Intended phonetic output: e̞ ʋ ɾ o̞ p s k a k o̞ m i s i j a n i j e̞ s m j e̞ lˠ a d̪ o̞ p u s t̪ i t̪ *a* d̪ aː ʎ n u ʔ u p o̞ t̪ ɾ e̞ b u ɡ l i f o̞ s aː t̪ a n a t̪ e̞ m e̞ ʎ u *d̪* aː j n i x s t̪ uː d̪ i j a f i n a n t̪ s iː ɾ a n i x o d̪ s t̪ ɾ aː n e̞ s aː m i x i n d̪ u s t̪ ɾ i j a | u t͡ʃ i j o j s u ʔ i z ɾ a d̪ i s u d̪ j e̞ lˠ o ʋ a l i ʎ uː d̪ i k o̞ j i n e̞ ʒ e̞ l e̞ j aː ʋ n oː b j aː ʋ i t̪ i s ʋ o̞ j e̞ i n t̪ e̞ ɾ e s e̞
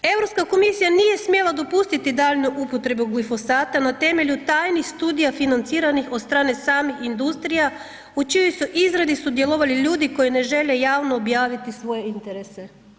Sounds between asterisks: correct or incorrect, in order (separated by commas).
incorrect, incorrect